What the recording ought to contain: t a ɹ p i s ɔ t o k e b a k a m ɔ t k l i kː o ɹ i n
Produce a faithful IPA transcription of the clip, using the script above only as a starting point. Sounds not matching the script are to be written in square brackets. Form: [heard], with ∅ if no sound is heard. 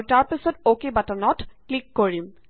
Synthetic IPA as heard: t a ɹ p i s ɔ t o k e b a [t] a [n] ɔ t k l i kː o ɹ i [m]